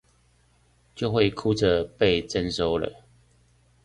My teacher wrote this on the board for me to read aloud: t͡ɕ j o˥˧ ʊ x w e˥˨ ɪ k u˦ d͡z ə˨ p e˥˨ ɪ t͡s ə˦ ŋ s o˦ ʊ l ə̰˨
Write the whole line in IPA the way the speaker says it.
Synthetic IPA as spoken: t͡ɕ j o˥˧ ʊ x w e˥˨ ɪ kʰ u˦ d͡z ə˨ p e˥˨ ɪ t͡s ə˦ n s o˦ ʊ l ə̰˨